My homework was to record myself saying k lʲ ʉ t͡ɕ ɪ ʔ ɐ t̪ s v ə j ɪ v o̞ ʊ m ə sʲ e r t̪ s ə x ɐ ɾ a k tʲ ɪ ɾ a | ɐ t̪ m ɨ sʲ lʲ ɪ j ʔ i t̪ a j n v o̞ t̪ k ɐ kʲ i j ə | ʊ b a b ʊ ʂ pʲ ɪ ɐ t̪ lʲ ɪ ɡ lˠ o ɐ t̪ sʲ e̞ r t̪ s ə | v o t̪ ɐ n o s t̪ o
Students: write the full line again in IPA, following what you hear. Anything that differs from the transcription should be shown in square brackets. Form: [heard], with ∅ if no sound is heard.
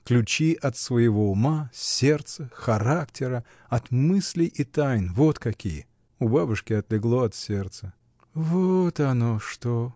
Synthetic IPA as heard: k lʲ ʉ t͡ɕ [i] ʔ ɐ t̪ s v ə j ɪ v o̞ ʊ m [a] sʲ e r t̪ s ə x ɐ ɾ a k tʲ ɪ ɾ [ə] | ɐ t̪ m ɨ sʲ lʲ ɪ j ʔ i t̪ a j n v o̞ t̪ k ɐ kʲ i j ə | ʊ b a b ʊ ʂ [kʲ] ɪ ɐ t̪ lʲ ɪ ɡ lˠ o ɐ t̪ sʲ e̞ r t̪ s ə | v o t̪ ɐ n o [ʂ] t̪ o